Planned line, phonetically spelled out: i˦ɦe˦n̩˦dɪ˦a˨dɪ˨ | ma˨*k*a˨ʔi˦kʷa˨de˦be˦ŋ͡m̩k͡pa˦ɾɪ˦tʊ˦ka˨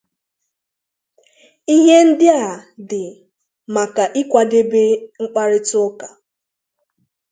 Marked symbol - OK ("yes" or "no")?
yes